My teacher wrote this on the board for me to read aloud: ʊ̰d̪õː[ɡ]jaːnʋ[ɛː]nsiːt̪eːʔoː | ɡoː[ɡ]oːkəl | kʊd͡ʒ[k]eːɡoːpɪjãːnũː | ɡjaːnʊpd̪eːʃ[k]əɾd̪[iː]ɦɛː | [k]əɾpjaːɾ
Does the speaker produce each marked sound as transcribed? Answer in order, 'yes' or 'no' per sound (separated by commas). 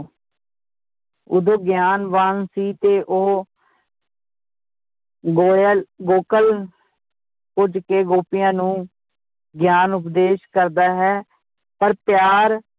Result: yes, no, yes, yes, yes, no, no